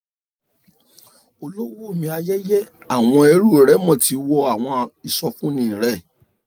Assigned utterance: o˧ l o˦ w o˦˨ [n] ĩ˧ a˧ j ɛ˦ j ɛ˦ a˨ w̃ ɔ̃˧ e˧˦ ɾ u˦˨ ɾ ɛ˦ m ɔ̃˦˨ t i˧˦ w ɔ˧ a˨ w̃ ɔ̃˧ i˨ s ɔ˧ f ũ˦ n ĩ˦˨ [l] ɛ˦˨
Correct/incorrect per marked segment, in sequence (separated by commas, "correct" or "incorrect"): incorrect, incorrect